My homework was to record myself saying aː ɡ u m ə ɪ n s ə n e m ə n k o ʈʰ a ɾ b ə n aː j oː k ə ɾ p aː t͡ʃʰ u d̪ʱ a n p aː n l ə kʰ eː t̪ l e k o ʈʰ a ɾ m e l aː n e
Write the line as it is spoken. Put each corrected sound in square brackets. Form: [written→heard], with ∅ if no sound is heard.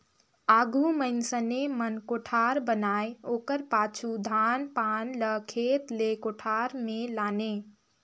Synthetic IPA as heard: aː ɡ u m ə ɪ n s ə n e m ə n k o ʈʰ a ɾ b ə n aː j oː k ə ɾ p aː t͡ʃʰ u d̪ʱ a n p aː n l ə kʰ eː t̪ l e k o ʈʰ a ɾ m e l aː n e